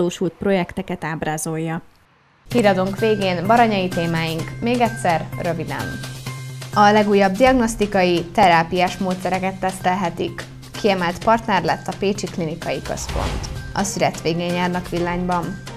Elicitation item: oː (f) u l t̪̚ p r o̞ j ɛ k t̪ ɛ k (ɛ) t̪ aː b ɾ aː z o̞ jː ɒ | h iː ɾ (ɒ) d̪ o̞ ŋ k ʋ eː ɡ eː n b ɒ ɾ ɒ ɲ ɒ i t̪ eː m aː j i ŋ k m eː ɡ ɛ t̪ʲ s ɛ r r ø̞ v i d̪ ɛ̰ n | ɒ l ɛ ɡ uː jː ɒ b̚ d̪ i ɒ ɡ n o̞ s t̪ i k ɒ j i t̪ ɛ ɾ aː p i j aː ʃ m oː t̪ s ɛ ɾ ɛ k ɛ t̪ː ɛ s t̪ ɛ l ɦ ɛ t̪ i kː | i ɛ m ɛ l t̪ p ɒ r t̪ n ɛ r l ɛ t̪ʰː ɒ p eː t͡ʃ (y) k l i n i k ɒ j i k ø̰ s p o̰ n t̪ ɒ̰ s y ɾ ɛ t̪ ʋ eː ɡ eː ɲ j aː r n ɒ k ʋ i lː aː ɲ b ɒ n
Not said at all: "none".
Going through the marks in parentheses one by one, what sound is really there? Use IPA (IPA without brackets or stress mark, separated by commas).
ʃ, ɛ, ɒ, i